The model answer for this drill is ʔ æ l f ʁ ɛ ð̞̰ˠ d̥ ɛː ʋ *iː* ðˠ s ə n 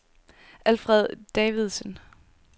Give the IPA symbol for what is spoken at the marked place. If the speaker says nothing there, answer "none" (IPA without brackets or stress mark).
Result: i